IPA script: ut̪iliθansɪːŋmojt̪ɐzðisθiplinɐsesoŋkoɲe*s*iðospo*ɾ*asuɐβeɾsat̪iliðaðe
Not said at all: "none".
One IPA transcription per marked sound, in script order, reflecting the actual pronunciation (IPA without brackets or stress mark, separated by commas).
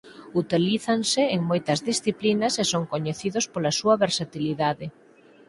θ, l